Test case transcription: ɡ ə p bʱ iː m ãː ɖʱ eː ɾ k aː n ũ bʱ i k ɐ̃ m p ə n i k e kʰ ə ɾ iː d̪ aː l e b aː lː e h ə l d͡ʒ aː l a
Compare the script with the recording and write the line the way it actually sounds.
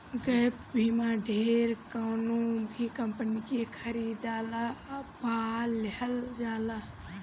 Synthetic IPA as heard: ɡ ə p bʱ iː m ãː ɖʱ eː ɾ k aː n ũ bʱ i k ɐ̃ m p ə n i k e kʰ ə ɾ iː d̪ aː l a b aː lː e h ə l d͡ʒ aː l a